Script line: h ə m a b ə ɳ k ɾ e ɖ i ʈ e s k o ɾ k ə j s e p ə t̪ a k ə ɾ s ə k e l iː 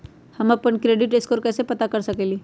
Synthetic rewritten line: h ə m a p ə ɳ k ɾ e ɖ i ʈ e s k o ɾ k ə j s e p ə t̪ a k ə ɾ s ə k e l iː